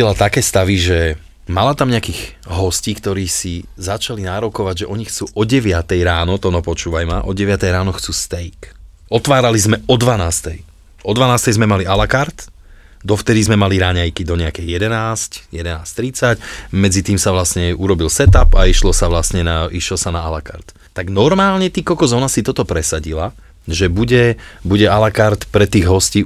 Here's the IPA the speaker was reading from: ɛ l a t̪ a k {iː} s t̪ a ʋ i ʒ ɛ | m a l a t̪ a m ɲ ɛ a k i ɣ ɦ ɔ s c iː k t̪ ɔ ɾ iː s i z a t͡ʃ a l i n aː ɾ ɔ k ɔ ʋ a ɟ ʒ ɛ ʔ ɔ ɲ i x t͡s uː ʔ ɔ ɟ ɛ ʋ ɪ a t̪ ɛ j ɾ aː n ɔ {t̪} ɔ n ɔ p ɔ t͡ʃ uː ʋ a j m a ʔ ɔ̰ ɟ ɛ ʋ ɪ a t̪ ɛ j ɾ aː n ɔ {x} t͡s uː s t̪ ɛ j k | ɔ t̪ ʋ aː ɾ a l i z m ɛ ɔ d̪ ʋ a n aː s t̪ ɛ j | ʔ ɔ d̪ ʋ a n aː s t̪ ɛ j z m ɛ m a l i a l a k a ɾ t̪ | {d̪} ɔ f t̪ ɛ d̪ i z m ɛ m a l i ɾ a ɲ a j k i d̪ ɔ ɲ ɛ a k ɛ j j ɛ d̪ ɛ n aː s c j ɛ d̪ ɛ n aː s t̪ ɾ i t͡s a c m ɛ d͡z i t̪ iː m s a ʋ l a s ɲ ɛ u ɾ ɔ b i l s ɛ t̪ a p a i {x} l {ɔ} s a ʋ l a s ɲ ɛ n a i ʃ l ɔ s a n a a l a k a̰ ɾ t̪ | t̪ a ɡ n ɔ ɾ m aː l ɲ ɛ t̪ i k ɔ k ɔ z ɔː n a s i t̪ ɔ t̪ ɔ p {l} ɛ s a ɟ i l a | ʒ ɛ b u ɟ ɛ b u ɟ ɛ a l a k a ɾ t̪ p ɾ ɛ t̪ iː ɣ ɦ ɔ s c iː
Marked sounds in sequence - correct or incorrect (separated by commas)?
incorrect, correct, correct, correct, incorrect, correct, incorrect